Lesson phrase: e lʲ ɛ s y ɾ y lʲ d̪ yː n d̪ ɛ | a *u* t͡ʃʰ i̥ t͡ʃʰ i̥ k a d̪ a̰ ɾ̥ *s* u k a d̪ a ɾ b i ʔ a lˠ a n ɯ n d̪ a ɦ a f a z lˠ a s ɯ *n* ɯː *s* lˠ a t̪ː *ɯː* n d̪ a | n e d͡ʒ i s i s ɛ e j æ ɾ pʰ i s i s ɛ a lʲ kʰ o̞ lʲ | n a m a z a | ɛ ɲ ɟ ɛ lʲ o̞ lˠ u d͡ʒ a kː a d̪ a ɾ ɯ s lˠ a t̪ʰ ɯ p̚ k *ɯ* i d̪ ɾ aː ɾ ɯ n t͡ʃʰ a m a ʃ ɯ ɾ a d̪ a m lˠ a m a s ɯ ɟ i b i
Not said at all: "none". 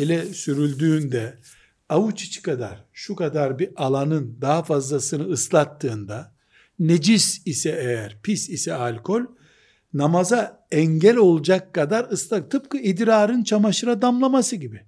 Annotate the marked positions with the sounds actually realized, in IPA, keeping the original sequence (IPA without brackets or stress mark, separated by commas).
u, ʃ, n, s, ɯː, ɯ